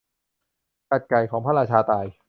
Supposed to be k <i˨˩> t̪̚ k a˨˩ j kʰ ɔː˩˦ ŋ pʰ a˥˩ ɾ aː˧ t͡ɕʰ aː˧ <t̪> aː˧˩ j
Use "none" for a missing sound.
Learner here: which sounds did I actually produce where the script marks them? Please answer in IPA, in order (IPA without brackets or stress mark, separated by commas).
a˨˩, t̪